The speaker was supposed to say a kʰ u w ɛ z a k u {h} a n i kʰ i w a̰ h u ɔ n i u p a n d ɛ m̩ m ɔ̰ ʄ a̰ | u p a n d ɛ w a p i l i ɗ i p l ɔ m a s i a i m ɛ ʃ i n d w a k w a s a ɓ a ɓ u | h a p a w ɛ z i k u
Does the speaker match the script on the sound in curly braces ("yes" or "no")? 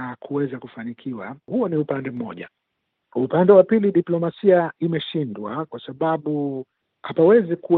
no